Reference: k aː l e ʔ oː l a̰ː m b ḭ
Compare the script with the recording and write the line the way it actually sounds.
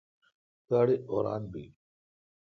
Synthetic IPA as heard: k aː ɽ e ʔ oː ɾ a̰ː n b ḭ